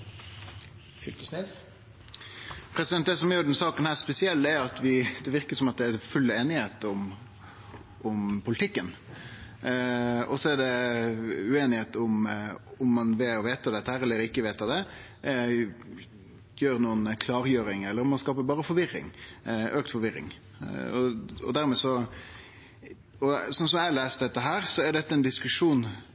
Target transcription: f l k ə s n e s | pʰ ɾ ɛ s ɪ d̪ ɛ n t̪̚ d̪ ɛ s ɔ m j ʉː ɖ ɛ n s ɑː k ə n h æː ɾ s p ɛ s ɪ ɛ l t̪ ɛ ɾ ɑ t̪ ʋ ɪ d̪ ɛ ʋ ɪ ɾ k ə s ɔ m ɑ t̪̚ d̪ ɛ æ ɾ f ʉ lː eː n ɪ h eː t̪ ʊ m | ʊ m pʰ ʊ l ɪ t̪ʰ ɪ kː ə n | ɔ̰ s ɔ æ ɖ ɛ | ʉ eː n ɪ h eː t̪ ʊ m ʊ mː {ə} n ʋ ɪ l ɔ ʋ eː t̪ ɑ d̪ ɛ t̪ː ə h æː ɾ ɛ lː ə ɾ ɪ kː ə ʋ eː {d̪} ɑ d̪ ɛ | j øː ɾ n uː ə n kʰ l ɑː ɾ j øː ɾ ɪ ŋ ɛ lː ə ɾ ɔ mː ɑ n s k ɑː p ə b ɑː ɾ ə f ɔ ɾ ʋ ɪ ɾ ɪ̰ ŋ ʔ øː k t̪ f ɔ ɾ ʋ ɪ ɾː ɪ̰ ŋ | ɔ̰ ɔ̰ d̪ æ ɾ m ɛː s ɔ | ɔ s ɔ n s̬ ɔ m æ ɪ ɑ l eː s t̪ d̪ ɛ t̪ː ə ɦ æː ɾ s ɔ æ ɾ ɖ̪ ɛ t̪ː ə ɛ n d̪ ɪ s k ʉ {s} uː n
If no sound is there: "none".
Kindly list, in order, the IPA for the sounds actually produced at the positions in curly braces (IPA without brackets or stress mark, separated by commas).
ɑ, t̪, ʂ